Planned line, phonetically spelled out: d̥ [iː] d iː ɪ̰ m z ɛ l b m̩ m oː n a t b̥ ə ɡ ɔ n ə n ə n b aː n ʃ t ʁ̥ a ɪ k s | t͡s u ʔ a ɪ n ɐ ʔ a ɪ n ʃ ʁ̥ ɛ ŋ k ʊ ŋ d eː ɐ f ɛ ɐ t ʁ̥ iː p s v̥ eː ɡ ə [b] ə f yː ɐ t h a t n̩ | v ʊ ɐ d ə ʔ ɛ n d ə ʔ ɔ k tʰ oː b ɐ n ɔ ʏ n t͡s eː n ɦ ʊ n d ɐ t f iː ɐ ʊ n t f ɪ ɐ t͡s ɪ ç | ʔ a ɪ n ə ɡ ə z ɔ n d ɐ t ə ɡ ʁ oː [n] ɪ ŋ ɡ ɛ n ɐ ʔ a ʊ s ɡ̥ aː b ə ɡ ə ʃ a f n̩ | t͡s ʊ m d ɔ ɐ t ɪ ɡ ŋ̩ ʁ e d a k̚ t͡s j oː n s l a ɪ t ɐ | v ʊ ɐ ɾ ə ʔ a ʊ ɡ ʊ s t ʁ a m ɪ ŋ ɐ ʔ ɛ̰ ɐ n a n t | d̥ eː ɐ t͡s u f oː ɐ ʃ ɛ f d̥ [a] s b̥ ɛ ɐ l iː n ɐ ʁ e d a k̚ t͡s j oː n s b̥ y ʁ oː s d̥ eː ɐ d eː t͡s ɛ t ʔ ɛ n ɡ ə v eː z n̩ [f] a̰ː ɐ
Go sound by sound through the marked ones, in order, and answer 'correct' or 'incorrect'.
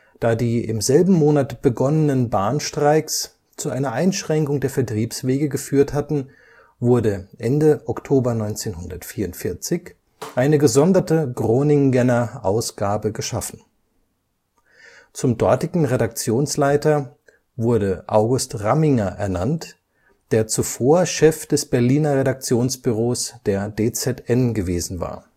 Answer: incorrect, incorrect, correct, incorrect, incorrect

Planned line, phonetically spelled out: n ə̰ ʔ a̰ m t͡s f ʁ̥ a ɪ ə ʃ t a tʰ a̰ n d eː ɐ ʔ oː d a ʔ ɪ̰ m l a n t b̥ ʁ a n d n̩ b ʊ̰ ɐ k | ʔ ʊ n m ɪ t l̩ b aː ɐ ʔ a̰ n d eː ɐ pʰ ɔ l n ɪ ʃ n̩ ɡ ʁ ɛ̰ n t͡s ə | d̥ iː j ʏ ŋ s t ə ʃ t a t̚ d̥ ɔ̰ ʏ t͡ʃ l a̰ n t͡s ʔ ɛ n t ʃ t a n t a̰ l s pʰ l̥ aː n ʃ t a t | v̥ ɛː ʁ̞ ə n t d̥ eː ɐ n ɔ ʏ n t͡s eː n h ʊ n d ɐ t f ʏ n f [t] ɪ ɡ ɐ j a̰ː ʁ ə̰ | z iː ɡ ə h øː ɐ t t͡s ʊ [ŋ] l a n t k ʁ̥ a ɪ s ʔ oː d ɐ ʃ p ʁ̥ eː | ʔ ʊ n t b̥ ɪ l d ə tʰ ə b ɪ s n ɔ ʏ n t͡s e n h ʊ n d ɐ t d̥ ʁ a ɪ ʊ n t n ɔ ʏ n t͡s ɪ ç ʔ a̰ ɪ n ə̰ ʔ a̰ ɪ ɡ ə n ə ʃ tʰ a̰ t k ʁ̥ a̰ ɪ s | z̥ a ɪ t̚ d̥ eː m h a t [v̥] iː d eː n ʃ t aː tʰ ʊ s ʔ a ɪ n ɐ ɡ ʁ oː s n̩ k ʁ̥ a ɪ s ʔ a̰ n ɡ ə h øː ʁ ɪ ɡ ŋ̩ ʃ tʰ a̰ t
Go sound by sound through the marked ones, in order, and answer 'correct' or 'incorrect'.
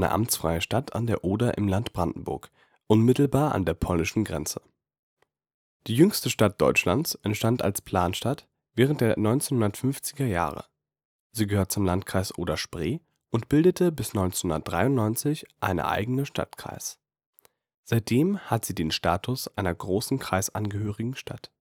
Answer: incorrect, incorrect, incorrect

